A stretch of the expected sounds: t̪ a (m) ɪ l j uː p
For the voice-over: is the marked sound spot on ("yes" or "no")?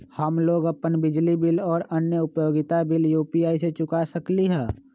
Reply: no